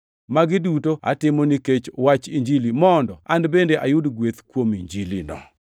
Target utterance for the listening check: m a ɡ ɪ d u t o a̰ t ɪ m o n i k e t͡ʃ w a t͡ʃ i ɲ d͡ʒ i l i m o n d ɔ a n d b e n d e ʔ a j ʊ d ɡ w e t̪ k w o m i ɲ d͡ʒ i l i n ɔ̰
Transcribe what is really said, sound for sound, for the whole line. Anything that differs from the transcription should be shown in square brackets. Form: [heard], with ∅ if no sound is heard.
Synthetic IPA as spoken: m a ɡ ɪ d u t o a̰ t ɪ m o n i k e t͡ʃ w a t͡ʃ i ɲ d͡ʒ i l i m [ɔ] n d ɔ a n d b e n d e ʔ a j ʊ d ɡ w e t̪ k w o m i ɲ d͡ʒ i l i n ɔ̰